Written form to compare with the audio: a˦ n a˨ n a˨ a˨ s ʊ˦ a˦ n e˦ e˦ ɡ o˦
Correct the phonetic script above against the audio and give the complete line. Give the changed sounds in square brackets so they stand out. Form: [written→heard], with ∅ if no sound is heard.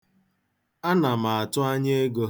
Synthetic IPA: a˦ n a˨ [n→m] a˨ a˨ [s→t] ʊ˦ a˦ [n→ɲ] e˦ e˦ ɡ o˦